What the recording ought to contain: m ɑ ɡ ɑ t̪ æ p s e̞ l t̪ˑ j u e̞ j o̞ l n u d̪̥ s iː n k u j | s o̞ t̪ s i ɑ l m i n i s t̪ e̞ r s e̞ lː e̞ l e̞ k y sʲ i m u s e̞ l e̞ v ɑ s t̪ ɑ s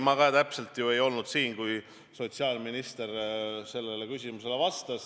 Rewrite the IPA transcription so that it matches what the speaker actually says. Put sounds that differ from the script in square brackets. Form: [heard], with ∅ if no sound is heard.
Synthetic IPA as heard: m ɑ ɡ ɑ t̪ æ p s e̞ l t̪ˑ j u e̞ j o̞ l n u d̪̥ s iː n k u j | s o̞ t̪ s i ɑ l m i n i s t̪ e̞ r s e̞ lː e̞ l e̞ k y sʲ i m u s e̞ l e̞ v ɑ s t̪ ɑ s